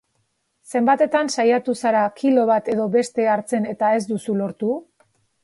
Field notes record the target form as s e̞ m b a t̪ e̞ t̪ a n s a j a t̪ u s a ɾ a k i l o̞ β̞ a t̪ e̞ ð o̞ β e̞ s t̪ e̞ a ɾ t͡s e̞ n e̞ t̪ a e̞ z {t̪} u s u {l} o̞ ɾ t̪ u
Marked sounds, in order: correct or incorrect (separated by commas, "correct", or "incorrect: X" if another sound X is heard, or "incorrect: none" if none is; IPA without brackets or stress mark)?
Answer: incorrect: d̪, correct